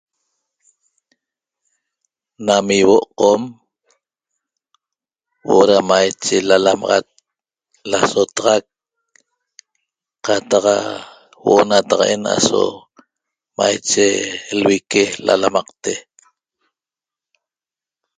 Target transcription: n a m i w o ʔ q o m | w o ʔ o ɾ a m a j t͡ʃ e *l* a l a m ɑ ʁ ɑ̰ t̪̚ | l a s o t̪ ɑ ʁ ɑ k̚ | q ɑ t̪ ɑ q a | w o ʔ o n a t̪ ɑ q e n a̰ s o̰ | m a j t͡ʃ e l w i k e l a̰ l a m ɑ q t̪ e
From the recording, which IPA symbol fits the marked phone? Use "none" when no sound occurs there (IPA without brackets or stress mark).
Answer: l